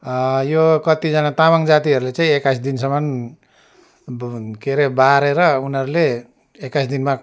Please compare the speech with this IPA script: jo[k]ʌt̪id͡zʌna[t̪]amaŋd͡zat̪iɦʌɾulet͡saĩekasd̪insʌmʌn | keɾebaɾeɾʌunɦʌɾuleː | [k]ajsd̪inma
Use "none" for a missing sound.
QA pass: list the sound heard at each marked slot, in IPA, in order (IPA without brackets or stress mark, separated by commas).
k, t̪, k